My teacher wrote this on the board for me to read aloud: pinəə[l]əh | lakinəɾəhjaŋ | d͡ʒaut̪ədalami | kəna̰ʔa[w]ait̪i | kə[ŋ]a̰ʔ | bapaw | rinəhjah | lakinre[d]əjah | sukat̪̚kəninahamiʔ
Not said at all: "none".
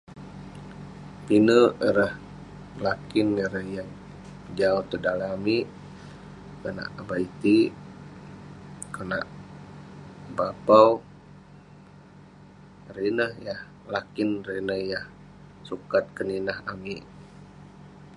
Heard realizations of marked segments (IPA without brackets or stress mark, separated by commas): ɾ, b, n, n